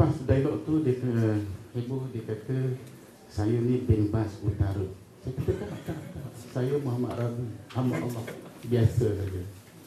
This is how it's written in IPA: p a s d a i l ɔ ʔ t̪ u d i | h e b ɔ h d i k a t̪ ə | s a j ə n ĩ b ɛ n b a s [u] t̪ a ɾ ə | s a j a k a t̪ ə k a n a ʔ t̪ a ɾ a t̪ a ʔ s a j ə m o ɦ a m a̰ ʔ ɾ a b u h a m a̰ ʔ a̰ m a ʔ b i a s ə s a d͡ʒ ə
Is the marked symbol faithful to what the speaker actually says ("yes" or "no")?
yes